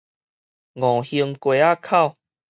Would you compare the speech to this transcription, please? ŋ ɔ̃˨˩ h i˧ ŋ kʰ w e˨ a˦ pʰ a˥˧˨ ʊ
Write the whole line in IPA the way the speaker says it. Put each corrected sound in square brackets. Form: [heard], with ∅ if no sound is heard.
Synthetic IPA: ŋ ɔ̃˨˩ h i˧ ŋ [k] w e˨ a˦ [kʰ] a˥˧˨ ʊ